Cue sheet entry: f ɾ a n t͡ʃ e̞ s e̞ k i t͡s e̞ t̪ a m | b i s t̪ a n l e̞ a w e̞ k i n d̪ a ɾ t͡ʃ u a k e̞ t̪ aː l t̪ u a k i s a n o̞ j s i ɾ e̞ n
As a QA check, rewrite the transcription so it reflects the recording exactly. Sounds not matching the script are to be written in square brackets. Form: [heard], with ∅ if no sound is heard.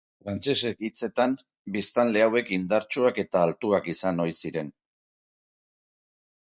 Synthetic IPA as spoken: f ɾ a n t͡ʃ e̞ s e̞ k i t͡s e̞ t̪ a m | b i s t̪ a n l e̞ a w e̞ k i n d̪ a ɾ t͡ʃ u a k e̞ t̪ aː l t̪ u a k i s a n o̞ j s i ɾ e̞ n